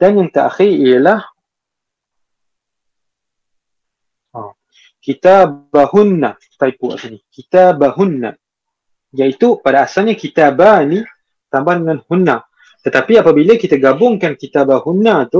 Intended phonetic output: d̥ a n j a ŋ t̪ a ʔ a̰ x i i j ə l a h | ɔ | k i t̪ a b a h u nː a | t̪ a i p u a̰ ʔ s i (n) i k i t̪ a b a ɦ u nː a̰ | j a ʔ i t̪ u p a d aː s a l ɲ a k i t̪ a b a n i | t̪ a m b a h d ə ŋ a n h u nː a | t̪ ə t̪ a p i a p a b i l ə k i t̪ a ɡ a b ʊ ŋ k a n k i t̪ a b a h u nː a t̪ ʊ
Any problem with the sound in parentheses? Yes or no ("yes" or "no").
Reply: no